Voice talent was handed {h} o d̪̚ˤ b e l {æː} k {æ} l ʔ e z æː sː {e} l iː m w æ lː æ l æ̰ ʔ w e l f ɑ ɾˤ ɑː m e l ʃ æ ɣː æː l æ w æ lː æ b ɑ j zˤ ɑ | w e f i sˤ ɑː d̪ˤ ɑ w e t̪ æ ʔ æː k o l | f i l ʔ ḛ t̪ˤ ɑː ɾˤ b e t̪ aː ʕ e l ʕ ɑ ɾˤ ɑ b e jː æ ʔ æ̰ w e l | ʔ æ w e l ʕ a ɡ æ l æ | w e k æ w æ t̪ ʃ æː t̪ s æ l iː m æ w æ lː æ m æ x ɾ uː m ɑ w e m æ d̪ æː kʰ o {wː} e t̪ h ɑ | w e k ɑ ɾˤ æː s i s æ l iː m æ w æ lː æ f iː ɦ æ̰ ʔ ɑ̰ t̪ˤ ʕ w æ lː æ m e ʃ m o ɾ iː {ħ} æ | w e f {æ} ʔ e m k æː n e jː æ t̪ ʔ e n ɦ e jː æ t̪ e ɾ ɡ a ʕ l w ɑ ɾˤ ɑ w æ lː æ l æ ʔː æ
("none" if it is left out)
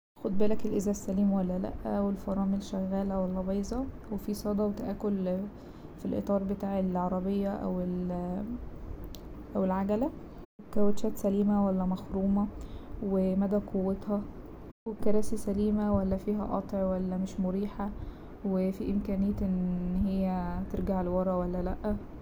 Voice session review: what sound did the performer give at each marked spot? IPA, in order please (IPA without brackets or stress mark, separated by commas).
x, æ, e, æ, wː, ħ, i